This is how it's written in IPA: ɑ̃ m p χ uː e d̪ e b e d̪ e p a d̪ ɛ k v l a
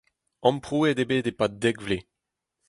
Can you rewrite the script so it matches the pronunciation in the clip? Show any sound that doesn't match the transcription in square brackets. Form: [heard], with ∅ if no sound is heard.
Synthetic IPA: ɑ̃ m p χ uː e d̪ e b e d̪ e p a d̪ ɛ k v l [e]